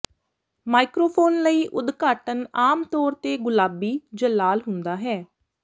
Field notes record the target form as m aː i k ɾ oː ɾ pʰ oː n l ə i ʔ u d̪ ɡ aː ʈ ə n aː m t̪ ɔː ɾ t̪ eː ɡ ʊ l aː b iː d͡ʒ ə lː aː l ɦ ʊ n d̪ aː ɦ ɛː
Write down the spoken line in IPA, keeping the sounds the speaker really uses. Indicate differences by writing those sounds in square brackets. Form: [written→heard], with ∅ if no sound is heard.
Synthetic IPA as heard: m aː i k ɾ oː [ɾ→∅] pʰ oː n l ə [i→iː] ʔ [u→ʊ] d̪ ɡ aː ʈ ə n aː m t̪ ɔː ɾ t̪ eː ɡ ʊ l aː b iː d͡ʒ ə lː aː l ɦ ʊ n d̪ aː ɦ ɛː